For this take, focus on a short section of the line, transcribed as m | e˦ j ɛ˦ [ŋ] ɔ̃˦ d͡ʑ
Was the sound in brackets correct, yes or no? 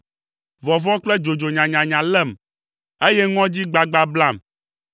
yes